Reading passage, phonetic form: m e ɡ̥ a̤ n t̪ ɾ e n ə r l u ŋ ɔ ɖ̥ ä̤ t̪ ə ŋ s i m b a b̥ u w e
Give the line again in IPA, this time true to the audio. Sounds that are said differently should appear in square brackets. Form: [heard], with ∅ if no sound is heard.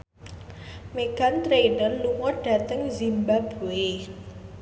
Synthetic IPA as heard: m e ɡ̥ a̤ n t̪ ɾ e n ə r l u ŋ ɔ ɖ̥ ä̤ t̪ ə ŋ [z] i m b a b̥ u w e